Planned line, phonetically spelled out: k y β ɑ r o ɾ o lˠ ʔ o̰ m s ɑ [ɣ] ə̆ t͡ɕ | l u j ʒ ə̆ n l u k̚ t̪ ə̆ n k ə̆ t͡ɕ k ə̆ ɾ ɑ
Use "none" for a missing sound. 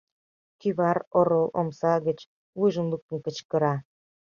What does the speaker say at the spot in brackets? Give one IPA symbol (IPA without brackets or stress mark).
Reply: ɣ